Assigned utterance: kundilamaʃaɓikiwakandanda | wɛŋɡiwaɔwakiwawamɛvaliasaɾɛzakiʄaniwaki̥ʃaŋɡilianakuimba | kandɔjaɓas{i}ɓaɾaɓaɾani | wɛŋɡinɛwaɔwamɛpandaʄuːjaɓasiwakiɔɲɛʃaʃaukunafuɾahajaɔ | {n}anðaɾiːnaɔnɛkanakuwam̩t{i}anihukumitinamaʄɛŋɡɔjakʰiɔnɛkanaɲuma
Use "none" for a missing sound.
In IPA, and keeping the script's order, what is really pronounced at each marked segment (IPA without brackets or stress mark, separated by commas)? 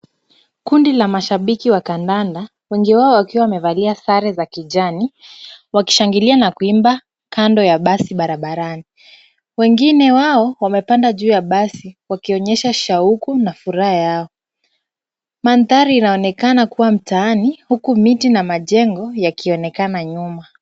i, m, a